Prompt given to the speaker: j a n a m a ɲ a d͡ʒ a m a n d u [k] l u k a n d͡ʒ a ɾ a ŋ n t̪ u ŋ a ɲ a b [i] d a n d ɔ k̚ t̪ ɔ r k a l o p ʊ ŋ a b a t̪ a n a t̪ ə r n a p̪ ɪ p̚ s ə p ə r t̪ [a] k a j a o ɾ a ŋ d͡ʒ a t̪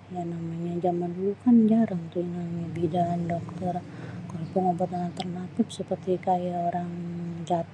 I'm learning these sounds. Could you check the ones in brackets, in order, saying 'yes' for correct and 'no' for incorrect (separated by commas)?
no, yes, no